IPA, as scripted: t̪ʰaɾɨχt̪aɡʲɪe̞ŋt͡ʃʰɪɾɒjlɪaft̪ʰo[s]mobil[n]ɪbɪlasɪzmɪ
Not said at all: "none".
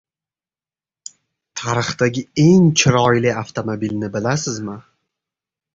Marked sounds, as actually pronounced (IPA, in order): none, n

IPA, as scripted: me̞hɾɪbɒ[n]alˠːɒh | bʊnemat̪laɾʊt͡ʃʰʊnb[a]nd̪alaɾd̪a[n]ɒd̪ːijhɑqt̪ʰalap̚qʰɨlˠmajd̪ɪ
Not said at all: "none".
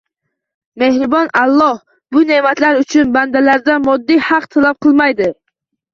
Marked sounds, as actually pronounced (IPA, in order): n, a, m

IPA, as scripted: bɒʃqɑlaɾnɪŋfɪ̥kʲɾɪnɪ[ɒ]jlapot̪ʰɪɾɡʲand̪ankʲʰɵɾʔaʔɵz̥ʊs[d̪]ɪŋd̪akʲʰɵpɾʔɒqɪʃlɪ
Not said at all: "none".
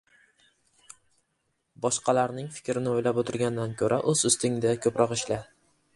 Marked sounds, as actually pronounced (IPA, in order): o, t̪

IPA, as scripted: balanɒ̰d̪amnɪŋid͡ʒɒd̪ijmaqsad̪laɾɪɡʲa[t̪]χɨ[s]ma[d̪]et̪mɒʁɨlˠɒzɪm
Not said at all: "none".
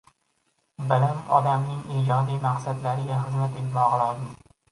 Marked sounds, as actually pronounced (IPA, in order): none, z, t̪

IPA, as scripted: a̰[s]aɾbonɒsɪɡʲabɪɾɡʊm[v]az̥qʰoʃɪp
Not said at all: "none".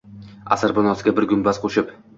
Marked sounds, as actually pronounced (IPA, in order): s, b

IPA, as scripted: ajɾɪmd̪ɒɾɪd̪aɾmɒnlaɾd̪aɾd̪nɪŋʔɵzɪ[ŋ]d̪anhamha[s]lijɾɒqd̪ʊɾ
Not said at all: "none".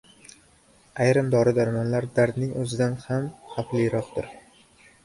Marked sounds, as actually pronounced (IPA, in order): none, f

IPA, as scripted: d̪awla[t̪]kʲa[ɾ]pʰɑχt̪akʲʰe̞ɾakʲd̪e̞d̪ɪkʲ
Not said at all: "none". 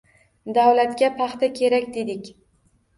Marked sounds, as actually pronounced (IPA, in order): t̪, none

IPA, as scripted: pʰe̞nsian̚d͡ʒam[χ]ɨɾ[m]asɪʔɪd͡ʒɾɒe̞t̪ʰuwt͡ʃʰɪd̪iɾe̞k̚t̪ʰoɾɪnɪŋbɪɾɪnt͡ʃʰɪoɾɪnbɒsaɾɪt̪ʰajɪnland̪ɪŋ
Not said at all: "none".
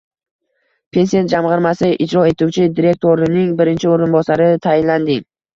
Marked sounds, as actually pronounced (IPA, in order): ʁ, m

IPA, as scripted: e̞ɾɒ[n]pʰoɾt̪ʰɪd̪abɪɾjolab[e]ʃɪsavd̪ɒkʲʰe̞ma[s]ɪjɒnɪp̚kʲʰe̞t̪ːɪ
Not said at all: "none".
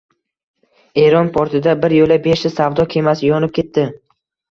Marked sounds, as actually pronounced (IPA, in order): n, e, s

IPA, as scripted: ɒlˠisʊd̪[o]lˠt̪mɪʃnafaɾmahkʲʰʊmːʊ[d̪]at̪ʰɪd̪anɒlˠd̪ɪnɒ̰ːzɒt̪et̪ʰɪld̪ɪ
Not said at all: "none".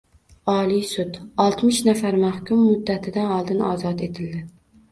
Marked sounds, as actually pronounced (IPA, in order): ɒ, d̪ː

